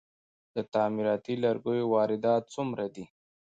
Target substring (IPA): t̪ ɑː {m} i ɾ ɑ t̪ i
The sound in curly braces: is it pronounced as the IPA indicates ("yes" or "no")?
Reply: yes